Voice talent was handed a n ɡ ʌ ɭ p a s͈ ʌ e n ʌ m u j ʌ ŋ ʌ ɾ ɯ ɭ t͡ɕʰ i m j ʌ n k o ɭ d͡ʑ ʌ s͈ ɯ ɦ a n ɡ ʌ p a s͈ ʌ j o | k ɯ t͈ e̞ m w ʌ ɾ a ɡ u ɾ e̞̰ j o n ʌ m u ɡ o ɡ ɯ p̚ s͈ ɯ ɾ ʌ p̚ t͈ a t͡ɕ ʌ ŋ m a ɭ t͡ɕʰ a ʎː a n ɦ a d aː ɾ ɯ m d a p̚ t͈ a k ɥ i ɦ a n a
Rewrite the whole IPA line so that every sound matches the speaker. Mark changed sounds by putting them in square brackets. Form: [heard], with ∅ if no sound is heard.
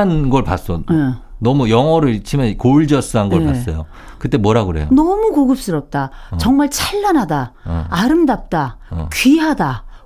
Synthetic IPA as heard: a n ɡ ʌ ɭ p a s͈ ʌ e n ʌ m u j ʌ ŋ ʌ ɾ ɯ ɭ t͡ɕʰ i m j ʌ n k o ɭ d͡ʑ ʌ s͈ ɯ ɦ a n ɡ ʌ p a s͈ ʌ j o | k ɯ t͈ e̞ m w ʌ ɾ a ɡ [ɯ] ɾ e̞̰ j o n ʌ m u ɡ o ɡ ɯ p̚ s͈ ɯ ɾ ʌ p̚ t͈ a t͡ɕ ʌ ŋ m a ɭ t͡ɕʰ a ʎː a n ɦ a d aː ɾ ɯ m d a p̚ t͈ a k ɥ i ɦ a [d] a